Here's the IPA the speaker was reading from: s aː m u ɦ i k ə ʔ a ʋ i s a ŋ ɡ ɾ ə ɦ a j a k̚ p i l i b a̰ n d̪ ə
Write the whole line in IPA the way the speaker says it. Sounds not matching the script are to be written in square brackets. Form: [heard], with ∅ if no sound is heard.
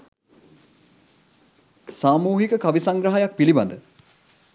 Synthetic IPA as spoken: s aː m [uː] ɦ i k ə [k] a ʋ i s a ŋ ɡ ɾ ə ɦ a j a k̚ p i l i b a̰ n d̪ ə